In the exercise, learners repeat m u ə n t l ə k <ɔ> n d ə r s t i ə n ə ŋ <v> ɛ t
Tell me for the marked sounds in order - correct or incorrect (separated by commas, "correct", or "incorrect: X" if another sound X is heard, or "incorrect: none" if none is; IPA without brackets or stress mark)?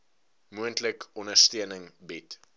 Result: correct, incorrect: b